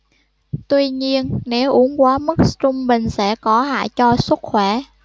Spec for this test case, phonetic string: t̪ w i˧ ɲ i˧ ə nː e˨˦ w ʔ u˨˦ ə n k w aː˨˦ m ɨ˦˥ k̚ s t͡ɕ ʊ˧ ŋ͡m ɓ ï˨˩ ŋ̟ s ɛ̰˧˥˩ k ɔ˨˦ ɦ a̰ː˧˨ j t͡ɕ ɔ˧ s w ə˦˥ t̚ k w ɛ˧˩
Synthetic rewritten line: t̪ w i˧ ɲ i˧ ə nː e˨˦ w ʔ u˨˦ ə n k w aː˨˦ m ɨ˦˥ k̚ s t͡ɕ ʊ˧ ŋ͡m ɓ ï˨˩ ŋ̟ s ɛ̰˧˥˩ k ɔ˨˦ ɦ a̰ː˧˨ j t͡ɕ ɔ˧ s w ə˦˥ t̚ x w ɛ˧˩